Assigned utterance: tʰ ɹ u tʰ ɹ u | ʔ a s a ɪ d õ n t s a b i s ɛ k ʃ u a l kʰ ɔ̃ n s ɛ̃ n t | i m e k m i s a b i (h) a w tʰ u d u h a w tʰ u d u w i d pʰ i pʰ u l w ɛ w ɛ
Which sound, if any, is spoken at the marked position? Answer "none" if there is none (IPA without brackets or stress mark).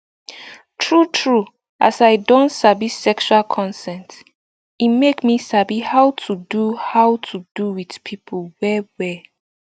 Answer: h